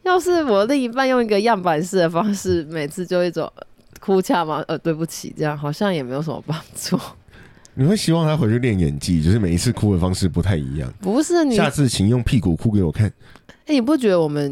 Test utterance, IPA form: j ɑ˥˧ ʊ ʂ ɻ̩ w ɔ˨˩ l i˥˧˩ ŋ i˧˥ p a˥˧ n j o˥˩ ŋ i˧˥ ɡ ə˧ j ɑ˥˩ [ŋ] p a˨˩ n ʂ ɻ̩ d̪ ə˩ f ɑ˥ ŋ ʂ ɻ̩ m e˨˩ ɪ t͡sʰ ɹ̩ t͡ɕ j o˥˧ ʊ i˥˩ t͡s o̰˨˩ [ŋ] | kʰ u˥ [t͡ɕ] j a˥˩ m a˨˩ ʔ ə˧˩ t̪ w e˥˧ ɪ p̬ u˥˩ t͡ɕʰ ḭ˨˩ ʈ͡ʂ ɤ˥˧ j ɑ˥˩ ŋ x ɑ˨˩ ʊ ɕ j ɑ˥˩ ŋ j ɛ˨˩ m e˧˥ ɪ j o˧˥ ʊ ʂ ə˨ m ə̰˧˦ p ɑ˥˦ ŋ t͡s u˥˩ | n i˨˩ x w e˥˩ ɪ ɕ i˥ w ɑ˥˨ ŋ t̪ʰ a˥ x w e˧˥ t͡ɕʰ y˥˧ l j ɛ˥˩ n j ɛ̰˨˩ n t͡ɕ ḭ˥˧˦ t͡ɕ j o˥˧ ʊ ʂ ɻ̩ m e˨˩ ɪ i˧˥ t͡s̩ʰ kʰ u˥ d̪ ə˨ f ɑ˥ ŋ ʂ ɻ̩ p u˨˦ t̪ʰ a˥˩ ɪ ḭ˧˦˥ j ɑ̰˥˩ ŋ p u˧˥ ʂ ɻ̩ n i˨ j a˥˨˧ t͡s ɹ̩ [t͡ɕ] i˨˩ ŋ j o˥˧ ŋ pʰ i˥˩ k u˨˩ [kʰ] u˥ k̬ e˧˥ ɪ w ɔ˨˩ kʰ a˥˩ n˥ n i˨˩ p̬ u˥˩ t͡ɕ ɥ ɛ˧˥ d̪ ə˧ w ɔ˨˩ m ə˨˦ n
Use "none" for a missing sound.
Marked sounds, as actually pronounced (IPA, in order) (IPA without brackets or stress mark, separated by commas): ŋ, ŋ, t͡ɕʰ, t͡ɕʰ, kʰ